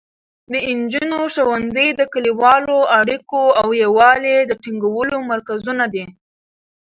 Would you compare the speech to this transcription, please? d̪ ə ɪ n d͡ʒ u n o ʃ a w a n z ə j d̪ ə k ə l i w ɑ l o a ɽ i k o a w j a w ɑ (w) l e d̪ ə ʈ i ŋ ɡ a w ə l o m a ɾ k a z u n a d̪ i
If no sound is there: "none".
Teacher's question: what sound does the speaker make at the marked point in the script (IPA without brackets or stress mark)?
none